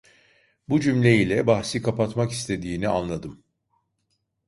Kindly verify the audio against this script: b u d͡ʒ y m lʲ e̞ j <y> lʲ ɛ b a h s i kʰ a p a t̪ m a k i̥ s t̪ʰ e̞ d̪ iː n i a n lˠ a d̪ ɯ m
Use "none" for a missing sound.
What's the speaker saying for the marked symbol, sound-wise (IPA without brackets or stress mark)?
i